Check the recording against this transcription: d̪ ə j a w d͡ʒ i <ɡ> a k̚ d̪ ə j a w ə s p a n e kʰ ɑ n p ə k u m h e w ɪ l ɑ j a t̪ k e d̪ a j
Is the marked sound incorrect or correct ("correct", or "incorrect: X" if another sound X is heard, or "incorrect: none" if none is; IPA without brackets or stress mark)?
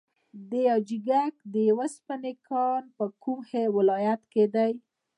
correct